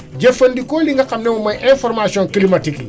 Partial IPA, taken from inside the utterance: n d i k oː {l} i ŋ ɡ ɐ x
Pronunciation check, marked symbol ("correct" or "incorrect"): correct